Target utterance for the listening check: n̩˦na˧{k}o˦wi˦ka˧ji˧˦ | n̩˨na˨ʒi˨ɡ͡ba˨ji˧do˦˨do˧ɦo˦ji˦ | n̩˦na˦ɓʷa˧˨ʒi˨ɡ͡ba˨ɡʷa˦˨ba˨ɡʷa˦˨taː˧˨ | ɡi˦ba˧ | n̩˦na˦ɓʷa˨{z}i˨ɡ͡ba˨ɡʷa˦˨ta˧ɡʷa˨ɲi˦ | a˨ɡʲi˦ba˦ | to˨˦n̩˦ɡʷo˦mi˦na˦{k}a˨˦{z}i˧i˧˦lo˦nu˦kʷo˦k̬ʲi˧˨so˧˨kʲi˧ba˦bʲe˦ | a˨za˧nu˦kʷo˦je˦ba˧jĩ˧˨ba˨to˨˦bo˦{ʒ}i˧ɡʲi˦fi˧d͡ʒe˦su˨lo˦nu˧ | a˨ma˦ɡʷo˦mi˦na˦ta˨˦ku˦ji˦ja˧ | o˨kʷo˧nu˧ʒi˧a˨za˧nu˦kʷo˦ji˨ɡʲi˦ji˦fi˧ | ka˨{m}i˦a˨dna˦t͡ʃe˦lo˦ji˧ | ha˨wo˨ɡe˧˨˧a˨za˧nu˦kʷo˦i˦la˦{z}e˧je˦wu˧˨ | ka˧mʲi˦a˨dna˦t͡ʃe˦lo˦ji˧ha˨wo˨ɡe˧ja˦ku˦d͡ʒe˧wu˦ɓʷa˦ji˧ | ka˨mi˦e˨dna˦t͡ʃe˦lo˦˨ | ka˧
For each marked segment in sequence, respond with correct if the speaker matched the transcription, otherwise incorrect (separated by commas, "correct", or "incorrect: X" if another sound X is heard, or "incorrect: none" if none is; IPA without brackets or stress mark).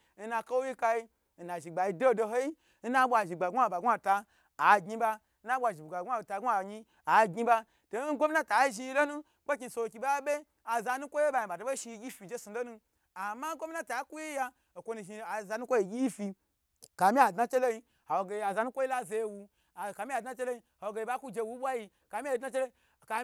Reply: correct, incorrect: ʒ, incorrect: t, incorrect: ʒ, incorrect: ʃ, correct, correct